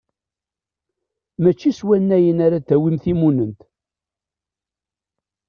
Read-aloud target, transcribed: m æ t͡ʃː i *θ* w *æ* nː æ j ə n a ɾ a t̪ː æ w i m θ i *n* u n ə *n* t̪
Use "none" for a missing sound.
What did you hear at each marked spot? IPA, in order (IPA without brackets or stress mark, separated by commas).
s, æ, m, n